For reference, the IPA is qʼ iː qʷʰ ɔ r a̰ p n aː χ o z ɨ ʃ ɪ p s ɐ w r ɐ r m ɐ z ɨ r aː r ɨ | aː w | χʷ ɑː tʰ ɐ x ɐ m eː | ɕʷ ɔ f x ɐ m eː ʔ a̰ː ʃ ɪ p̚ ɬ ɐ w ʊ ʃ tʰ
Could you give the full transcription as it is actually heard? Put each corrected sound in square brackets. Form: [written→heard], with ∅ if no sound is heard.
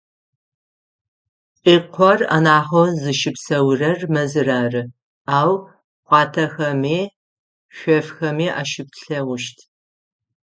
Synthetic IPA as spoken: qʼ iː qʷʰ ɔ r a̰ [p→∅] n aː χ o z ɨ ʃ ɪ p s ɐ w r ɐ r m ɐ z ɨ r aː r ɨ | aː w | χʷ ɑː tʰ ɐ x ɐ m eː | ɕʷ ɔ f x ɐ m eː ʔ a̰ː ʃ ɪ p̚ ɬ ɐ w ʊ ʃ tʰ